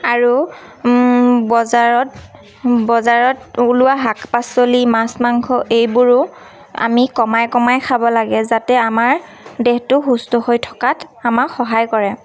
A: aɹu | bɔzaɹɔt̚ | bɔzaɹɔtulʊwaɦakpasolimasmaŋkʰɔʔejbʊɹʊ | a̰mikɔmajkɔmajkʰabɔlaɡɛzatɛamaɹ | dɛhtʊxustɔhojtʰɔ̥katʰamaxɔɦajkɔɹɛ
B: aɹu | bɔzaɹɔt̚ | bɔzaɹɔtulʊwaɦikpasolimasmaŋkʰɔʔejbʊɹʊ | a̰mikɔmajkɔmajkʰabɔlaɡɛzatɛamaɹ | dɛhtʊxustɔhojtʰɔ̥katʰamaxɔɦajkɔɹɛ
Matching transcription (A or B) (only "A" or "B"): A